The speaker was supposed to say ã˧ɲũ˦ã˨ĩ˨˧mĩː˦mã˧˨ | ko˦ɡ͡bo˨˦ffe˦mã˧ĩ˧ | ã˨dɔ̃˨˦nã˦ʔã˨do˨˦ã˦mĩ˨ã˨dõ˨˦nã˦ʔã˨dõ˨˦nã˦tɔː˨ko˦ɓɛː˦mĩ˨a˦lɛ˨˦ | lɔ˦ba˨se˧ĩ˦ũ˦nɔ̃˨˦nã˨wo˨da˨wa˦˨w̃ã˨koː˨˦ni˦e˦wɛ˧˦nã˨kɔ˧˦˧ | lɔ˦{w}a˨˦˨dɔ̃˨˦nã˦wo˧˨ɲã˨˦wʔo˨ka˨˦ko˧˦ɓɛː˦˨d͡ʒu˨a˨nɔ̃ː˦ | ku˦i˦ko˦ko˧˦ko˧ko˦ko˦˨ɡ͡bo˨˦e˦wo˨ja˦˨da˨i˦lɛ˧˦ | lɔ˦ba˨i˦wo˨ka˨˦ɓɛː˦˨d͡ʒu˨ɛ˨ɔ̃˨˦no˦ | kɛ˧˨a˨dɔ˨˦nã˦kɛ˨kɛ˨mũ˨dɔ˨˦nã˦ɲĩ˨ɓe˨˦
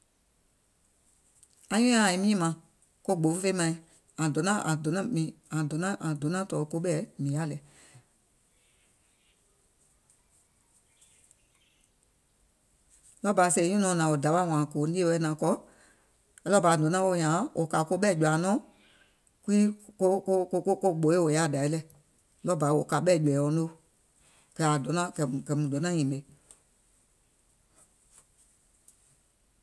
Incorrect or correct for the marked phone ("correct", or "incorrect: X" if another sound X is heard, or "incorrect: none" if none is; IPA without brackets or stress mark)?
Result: incorrect: b